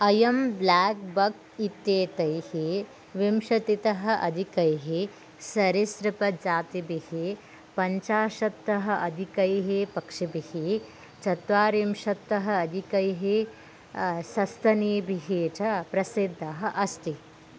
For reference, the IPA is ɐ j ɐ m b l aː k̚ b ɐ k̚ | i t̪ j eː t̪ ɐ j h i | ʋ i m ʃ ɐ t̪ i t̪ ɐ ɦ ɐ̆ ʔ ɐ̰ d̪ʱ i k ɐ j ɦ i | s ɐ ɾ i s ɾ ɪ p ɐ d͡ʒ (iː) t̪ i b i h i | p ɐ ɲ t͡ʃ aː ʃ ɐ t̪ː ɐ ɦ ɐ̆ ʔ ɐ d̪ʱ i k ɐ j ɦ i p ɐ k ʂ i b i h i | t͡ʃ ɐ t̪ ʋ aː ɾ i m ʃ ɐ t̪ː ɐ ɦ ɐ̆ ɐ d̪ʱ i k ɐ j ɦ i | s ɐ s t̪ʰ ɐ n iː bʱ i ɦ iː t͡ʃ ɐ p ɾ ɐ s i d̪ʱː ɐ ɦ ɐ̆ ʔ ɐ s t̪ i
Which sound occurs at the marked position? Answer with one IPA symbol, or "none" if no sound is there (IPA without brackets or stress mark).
aː